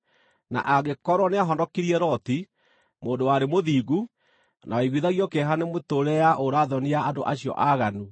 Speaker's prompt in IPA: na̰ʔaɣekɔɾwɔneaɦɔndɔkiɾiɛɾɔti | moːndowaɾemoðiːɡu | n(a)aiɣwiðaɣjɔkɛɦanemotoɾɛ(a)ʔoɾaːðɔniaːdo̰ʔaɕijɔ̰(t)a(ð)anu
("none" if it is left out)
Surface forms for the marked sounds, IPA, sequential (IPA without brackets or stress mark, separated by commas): a, a, ʔ, ɣ